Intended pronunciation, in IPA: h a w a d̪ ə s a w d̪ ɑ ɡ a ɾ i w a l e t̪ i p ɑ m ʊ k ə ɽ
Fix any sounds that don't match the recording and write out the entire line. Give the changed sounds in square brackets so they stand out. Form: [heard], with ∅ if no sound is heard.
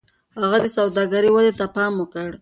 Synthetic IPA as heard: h a [ɣ] a d̪ ə s a w d̪ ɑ ɡ a ɾ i w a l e t̪ [a] p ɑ m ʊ k ə ɽ

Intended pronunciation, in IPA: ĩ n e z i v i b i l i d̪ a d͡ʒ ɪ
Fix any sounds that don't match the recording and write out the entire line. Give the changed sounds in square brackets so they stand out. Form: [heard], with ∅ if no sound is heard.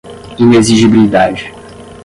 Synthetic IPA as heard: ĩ n e z i [ʒ] i b i l i d̪ a d͡ʒ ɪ

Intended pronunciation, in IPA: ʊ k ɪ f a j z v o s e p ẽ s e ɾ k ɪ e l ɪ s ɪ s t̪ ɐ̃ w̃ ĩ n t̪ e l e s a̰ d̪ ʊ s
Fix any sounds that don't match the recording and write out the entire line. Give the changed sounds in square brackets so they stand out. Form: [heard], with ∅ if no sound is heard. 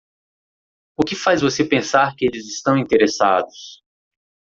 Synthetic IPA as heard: ʊ k ɪ f a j z v o s e p ẽ s [a] ɾ k ɪ e l ɪ [z] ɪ s t̪ ɐ̃ w̃ ĩ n t̪ e [ɾ] e s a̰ d̪ ʊ s

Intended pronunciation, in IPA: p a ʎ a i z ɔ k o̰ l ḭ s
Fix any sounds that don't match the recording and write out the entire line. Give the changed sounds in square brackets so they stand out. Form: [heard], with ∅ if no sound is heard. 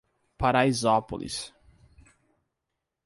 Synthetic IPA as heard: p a [ɾ] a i z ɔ [p] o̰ l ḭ s

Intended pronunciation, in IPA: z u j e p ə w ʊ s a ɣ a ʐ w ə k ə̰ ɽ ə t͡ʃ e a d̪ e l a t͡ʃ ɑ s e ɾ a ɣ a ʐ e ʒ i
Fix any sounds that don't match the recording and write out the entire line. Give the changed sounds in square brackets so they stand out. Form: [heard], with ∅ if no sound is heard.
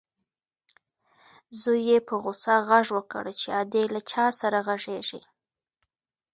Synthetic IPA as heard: z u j e p ə [ɣ] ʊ s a ɣ a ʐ w ə k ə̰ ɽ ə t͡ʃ e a d̪ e l a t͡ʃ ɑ s [a] ɾ a ɣ a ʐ e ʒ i

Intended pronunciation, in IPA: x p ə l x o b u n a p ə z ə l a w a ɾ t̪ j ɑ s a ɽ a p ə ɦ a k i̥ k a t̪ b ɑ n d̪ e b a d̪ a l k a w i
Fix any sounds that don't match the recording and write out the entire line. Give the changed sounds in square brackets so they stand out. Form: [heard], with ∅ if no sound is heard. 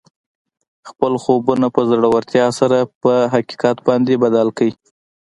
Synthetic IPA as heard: x p ə l x o b u n a p ə z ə [ɽ] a w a ɾ t̪ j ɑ s a [ɾ] a p ə ɦ a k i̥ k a t̪ b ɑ n d̪ e b a d̪ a l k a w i

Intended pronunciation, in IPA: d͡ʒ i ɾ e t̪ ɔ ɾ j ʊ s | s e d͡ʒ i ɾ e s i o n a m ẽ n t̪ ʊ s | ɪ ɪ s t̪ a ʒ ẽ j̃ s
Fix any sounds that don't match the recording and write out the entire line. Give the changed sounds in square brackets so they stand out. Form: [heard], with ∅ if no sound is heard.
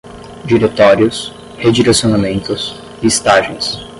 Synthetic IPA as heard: d͡ʒ i ɾ e t̪ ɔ ɾ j ʊ s | [h] e d͡ʒ i ɾ e s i o n a m ẽ n t̪ ʊ s | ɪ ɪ s t̪ a ʒ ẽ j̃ s

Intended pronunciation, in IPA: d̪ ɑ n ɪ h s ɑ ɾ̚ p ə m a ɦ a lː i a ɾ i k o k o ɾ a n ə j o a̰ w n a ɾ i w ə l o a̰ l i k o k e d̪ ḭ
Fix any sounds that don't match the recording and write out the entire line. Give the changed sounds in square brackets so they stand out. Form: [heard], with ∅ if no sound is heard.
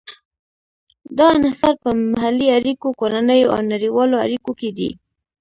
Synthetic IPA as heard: d̪ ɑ n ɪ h s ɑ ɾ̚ p ə m a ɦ a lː i a ɾ i k o k o ɾ a n ə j o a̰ w n a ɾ i w [ɑ] l o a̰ [ɾ] i k o k e d̪ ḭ

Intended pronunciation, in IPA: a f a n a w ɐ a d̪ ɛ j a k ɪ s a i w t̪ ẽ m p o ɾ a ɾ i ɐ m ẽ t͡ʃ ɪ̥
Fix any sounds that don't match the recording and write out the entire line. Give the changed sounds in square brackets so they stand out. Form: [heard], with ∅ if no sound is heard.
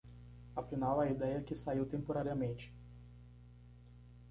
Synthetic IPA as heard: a f [i] n a w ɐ [i] d̪ ɛ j [ɐ] k ɪ s a i w t̪ ẽ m p o ɾ a ɾ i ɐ m ẽ t͡ʃ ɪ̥

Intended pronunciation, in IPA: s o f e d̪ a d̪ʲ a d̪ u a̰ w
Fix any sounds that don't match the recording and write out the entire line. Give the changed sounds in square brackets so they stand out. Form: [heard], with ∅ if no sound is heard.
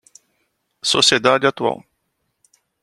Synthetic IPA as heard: s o [s] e d̪ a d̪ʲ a [t̪] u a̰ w

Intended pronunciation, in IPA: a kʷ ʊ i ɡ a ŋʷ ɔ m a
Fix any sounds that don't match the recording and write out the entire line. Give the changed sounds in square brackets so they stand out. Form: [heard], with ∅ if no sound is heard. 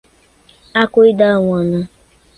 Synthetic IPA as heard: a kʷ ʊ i [d] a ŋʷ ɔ [n] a

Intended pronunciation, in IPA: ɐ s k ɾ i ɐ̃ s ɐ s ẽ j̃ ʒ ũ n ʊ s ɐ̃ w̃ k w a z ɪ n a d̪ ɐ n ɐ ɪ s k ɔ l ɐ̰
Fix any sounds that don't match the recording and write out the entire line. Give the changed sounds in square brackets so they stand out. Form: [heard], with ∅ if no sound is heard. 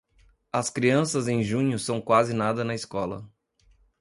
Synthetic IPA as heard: ɐ s k ɾ i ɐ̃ s ɐ [z] ẽ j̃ ʒ ũ [ɲ] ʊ s ɐ̃ w̃ k w a z ɪ n a d̪ ɐ n ɐ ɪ s k ɔ l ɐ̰

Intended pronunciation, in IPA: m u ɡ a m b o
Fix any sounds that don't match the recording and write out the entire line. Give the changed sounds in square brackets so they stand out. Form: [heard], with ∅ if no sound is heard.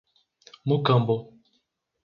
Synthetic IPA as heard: m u [k] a m b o

